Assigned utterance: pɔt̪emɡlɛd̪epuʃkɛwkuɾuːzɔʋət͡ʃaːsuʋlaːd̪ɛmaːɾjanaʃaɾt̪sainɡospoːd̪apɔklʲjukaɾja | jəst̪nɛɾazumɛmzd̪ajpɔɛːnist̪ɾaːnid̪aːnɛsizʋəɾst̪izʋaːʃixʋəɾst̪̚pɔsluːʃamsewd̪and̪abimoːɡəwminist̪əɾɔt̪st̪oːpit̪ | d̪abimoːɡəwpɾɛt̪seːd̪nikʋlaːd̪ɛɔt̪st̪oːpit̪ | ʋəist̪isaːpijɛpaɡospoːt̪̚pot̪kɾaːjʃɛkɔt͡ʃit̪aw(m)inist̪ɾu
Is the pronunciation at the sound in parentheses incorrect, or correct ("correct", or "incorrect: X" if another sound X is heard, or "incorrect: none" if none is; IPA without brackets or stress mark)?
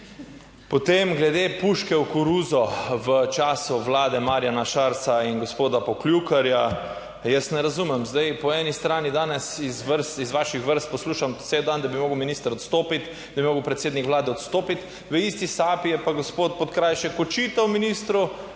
correct